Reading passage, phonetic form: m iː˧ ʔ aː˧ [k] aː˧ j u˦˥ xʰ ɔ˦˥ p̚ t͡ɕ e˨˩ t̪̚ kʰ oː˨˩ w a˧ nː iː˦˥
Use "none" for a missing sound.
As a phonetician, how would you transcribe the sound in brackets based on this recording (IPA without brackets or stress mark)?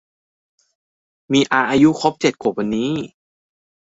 ʔ